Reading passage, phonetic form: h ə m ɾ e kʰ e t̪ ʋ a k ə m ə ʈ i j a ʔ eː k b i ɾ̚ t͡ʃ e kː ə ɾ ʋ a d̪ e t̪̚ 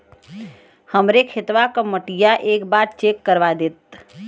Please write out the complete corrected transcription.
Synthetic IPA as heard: h ə m ɾ e kʰ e t̪ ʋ a k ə m ə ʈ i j a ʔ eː k b a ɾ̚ t͡ʃ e kː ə ɾ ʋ a d̪ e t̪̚